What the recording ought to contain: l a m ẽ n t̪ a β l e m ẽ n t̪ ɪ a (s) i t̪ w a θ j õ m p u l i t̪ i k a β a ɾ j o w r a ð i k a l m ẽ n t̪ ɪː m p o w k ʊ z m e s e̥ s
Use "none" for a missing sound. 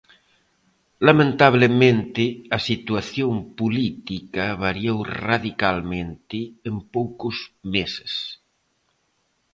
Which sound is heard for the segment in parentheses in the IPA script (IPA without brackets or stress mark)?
s